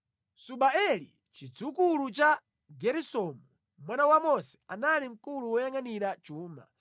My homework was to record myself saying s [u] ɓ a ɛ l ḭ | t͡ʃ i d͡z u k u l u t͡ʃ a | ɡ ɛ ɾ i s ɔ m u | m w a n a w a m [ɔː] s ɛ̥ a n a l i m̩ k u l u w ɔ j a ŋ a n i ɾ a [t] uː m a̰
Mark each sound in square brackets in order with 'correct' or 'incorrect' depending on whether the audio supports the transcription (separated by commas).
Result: correct, incorrect, incorrect